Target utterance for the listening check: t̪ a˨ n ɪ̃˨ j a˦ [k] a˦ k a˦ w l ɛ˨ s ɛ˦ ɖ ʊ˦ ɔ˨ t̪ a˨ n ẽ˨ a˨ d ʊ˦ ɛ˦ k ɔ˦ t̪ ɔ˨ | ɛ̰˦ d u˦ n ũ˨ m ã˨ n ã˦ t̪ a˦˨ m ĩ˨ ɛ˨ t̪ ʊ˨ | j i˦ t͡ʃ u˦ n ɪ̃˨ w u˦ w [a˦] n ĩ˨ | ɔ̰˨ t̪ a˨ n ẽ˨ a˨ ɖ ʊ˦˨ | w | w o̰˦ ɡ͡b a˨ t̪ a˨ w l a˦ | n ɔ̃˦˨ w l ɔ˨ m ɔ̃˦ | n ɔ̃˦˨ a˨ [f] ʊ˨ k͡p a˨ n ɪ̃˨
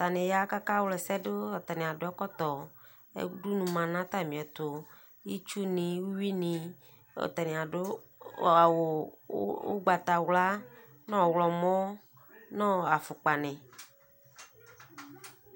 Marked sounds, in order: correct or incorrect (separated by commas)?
correct, incorrect, correct